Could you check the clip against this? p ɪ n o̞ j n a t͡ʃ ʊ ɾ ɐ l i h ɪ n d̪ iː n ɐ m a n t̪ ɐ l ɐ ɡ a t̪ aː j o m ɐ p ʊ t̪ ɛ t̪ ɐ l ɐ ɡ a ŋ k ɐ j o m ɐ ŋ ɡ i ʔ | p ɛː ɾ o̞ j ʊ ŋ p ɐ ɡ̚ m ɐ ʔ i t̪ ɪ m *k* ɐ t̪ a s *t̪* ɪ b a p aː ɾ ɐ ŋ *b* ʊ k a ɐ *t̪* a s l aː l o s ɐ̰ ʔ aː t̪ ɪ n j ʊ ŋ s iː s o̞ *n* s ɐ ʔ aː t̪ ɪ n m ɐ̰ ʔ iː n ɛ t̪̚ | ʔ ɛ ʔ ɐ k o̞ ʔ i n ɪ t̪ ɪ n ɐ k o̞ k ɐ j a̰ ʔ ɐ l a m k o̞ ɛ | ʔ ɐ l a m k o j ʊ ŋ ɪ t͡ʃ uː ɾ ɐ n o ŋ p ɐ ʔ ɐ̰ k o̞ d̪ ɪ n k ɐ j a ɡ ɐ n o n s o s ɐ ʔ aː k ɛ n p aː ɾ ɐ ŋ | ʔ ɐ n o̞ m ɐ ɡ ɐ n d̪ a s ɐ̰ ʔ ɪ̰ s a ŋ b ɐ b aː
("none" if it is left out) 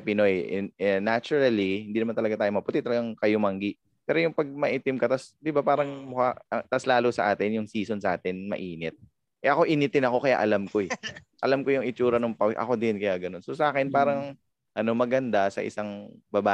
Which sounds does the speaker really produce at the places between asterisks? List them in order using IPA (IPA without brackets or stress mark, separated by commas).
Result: k, d̪, m, t̪, n